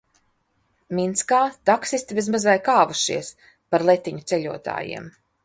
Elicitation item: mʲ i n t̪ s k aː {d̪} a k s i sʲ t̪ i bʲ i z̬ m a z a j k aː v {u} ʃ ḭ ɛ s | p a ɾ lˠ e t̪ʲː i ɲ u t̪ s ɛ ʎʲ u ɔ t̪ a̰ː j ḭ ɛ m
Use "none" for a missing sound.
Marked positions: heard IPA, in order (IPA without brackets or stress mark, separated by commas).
t̪, u